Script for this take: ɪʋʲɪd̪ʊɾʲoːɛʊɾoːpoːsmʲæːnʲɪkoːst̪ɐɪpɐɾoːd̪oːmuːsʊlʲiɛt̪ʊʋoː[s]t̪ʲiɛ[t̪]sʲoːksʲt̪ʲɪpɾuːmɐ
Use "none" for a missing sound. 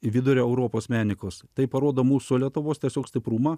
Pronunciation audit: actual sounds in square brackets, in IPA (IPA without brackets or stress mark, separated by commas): s, none